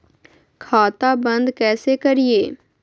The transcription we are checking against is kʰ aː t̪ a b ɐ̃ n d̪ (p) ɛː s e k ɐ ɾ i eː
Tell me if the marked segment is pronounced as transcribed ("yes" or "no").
no